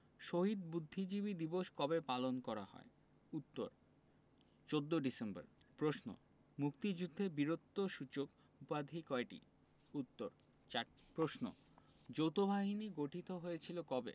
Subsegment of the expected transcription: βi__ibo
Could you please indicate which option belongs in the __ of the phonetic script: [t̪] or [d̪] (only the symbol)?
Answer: d̪